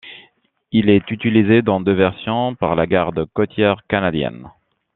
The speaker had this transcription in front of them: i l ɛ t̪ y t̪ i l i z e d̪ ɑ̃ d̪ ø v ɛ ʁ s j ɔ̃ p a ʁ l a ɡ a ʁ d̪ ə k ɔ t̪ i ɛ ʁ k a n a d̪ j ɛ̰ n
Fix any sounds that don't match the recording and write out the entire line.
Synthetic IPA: i l ɛ t̪ y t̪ i l i z e d̪ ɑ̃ d̪ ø v ɛ ʁ s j ɔ̃ p a ʁ l a ɡ a ʁ d̪ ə k ɔ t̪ j ɛ ʁ k a n a d̪ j ɛ̰ n